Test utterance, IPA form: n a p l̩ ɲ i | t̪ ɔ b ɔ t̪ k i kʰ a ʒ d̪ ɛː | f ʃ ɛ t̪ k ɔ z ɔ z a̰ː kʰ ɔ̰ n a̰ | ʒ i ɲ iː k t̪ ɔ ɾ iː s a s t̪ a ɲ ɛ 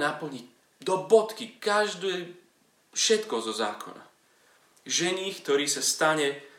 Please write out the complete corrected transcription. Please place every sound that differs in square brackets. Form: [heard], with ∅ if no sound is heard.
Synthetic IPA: n a p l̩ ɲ i | [d̪] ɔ b ɔ t̪ k i [k] a ʒ d̪ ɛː | f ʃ ɛ t̪ k ɔ z ɔ z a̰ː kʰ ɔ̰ n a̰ | ʒ [ɛ] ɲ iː k t̪ ɔ ɾ iː s a s t̪ a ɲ ɛ